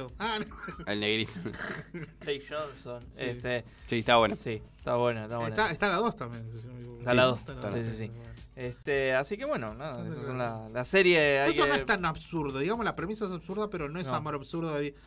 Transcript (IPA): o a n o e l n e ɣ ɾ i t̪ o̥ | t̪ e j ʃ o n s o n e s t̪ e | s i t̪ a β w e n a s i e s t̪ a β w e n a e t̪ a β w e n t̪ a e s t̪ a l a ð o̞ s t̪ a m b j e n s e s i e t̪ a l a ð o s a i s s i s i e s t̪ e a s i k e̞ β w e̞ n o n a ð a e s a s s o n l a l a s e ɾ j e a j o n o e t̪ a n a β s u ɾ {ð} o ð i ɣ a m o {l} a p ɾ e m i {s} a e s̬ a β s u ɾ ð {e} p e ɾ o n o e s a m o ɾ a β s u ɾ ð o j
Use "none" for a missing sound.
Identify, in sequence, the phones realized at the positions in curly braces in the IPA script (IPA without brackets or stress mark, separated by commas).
ð, l, s, a